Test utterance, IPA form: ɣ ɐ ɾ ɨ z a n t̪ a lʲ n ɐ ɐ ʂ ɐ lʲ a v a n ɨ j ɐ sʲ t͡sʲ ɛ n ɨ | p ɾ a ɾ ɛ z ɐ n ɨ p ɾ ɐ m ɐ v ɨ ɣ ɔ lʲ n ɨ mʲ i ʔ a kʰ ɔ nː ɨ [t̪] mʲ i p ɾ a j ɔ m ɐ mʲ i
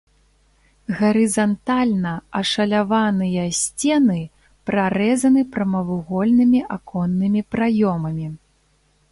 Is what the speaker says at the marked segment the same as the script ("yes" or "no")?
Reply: no